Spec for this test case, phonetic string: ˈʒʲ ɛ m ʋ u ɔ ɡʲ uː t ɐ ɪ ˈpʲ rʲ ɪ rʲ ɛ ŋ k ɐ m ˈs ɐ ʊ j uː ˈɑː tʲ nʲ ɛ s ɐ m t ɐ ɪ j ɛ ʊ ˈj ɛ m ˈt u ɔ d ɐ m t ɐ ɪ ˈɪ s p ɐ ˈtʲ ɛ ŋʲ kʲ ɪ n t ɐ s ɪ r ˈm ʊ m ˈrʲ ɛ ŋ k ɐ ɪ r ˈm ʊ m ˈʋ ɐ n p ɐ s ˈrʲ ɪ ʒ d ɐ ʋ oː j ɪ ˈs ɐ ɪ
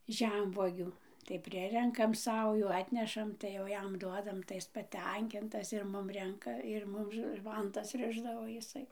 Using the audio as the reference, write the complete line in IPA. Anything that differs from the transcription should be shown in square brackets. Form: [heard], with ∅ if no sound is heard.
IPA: ˈʒʲ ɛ m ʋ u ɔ ɡʲ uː t ɐ ɪ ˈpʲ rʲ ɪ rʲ ɛ ŋ k ɐ m ˈs ɐ ʊ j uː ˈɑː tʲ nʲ ɛ [ʃ] ɐ m t ɐ ɪ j ɛ ʊ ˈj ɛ m [ˈd] u ɔ d ɐ m t ɐ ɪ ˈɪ s p ɐ ˈtʲ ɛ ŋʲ kʲ ɪ n t ɐ s ɪ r ˈm ʊ m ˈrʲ ɛ ŋ k ɐ ɪ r ˈm ʊ m ˈʋ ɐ n [t] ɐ s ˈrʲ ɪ ʒ d ɐ ʋ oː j ɪ ˈs ɐ ɪ